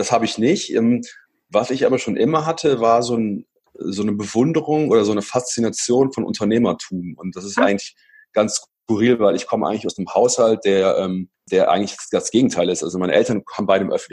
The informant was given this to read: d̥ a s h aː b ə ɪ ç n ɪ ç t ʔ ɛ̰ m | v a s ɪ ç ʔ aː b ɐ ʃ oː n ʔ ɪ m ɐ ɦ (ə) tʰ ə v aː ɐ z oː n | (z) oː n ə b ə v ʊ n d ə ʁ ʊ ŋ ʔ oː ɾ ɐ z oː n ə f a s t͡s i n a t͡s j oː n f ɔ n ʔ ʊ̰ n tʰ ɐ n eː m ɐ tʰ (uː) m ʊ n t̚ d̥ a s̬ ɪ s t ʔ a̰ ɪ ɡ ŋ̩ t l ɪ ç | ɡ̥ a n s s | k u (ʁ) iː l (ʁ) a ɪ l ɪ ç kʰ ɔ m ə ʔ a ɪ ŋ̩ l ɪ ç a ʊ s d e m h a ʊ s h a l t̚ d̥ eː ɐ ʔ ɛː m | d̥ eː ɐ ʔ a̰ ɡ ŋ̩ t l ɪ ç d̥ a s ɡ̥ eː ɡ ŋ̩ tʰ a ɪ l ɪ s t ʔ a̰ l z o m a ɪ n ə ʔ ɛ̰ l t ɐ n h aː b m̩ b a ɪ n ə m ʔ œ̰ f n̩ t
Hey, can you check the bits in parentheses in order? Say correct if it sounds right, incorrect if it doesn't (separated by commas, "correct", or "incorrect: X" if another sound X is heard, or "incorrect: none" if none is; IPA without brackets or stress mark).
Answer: incorrect: a, correct, correct, correct, incorrect: v